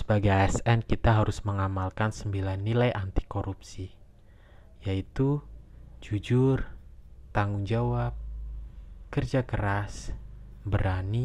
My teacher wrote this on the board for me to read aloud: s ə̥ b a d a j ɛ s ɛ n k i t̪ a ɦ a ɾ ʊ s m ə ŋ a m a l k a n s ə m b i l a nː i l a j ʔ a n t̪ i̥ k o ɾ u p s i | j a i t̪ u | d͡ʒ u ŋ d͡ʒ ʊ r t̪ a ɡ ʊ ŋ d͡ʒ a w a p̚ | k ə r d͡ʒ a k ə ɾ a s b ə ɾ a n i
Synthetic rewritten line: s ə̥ b a ɡ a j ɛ s ɛ n k i t̪ a ɦ a ɾ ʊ s m ə ŋ a m a l k a n s ə m b i l a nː i l a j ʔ a n t̪ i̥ k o ɾ u p s i | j a i t̪ u | d͡ʒ u d͡ʒ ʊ r t̪ a ŋ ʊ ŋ d͡ʒ a w a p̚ | k ə r d͡ʒ a k ə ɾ a s b ə ɾ a n i